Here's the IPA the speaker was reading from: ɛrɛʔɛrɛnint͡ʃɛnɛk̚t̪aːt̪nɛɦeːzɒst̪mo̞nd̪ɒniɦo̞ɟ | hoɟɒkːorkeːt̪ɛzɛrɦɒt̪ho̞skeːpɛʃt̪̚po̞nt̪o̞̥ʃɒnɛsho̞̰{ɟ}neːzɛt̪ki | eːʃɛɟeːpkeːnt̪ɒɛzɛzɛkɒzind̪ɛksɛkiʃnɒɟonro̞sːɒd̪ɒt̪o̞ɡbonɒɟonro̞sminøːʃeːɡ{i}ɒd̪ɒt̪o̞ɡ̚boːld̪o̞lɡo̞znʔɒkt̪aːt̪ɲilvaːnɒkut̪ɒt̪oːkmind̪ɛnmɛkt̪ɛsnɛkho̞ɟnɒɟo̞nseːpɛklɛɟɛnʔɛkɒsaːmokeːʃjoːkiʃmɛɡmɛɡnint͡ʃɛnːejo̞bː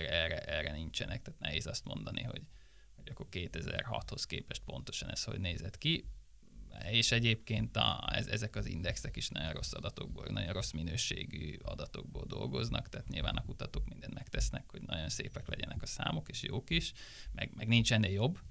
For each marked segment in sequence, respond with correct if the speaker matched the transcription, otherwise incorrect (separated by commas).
correct, incorrect